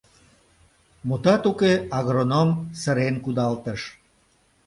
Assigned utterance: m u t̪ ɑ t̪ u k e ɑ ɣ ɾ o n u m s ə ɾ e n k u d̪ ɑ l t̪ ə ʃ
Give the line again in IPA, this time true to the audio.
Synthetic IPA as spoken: m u t̪ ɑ t̪ u k e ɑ ɣ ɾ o n o m s ə ɾ e n k u d̪ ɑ l t̪ ə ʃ